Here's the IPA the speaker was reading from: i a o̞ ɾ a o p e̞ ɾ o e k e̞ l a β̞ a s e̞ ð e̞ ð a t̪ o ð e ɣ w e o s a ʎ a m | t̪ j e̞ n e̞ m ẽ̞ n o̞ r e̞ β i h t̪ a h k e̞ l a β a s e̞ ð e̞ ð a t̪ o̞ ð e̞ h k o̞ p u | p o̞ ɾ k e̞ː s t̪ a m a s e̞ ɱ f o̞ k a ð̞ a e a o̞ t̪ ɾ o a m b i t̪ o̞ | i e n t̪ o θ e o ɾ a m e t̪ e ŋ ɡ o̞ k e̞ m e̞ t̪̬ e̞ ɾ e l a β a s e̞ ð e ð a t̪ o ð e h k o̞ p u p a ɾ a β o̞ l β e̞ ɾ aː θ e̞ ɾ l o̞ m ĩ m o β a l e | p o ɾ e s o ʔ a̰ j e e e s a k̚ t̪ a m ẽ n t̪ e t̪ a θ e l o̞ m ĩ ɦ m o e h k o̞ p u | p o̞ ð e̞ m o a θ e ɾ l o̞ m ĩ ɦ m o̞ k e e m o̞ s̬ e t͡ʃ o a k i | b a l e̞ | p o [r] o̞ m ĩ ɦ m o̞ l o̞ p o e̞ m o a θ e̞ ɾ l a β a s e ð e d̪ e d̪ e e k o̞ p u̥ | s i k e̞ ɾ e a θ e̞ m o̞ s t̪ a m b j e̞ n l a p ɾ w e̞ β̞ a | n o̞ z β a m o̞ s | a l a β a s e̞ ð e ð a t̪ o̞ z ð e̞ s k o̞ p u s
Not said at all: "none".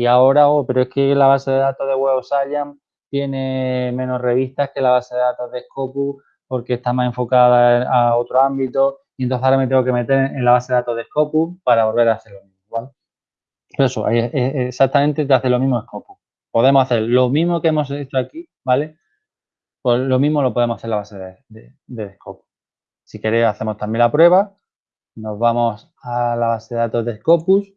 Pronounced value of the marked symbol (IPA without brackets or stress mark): l